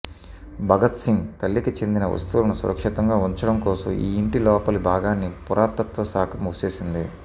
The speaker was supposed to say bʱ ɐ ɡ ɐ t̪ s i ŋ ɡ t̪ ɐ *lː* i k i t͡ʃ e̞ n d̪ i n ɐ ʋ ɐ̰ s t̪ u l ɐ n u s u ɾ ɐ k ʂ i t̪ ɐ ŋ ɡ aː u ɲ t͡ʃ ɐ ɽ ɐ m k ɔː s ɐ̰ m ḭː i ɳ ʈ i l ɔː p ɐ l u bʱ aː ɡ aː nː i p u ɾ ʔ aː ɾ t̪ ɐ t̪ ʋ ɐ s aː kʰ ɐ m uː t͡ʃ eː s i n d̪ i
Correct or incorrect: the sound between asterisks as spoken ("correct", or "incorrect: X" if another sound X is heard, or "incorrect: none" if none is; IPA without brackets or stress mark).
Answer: correct